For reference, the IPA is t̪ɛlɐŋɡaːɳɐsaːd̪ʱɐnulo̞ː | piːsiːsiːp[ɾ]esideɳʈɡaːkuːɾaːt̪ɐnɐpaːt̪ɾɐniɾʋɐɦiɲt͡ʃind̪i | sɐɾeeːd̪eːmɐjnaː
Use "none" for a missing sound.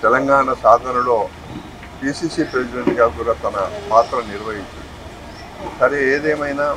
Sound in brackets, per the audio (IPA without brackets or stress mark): ɾ